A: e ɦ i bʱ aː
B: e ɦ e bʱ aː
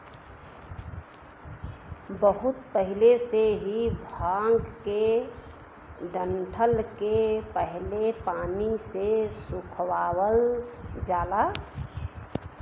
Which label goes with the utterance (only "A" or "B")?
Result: A